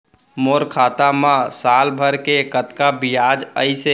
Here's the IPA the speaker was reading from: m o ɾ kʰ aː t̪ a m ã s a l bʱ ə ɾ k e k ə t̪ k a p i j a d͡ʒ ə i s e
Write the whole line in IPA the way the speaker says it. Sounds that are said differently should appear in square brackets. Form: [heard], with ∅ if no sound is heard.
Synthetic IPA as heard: m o ɾ kʰ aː t̪ a m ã s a l bʱ ə ɾ k e k ə t̪ k a [b] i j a d͡ʒ ə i s e